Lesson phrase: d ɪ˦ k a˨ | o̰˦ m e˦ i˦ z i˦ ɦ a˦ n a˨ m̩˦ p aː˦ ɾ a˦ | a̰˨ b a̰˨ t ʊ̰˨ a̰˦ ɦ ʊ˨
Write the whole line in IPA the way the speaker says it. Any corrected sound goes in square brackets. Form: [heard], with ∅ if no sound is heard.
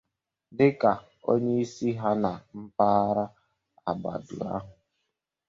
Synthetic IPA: d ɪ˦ k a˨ | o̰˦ [ɲ] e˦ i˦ [s] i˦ ɦ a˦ n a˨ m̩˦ p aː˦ ɾ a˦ | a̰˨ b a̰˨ [d] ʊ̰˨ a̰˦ ɦ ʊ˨

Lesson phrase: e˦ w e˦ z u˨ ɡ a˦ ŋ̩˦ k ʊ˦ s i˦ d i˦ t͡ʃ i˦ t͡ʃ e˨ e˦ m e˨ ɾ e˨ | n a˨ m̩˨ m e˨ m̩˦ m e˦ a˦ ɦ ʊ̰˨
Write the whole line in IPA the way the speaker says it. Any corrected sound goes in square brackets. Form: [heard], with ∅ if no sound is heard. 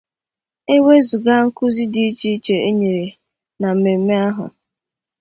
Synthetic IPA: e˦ w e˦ z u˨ ɡ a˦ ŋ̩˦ k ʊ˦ [z] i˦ d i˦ t͡ʃ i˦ t͡ʃ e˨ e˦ [ɲ] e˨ ɾ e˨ | n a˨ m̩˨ m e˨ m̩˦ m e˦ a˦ ɦ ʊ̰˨

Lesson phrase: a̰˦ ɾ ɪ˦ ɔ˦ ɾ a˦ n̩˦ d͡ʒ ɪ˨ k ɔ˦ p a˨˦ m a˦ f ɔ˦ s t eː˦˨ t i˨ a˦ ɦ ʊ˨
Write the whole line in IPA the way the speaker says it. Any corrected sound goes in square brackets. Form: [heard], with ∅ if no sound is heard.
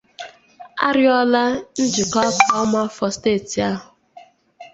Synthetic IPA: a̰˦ ɾ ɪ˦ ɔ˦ [l] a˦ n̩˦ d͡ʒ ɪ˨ k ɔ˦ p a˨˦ m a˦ f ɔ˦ s t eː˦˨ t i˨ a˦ ɦ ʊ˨

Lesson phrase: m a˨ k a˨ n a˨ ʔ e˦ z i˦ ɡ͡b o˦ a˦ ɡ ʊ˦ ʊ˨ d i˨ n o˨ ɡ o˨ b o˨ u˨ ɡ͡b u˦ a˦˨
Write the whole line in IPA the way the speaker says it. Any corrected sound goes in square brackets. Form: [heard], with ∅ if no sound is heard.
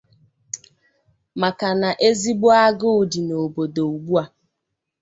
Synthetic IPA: m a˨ k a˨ n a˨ ʔ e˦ z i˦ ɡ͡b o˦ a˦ ɡ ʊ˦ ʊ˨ d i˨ n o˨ [b] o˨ [d] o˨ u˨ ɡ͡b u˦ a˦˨

